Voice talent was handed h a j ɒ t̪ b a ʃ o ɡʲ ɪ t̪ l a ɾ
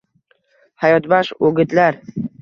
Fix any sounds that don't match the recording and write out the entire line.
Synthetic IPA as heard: h a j ɒ t̪ b a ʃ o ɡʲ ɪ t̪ l a ɾ